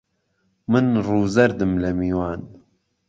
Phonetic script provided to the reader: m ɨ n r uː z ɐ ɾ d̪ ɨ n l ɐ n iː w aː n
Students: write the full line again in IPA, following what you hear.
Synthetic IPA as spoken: m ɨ n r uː z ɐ ɾ d̪ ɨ m l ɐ m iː w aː n